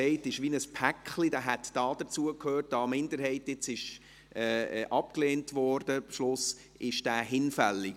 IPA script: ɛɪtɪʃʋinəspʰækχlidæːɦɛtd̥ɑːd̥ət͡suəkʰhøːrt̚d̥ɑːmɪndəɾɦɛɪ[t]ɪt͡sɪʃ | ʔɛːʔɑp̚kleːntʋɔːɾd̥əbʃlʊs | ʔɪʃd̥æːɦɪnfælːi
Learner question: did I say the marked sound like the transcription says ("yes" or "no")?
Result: yes